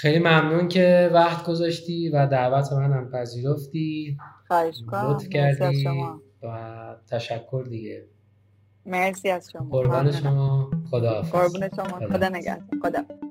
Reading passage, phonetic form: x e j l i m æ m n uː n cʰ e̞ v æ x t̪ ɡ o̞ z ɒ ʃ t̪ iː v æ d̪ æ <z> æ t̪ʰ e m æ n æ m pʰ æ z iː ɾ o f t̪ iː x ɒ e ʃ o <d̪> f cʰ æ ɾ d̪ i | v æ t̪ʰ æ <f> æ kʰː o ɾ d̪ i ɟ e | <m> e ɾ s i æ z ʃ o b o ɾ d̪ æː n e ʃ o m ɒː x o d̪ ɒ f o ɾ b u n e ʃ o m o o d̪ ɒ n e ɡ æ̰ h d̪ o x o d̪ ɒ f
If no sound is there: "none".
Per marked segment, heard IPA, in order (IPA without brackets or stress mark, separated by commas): v, t̪, ʃ, m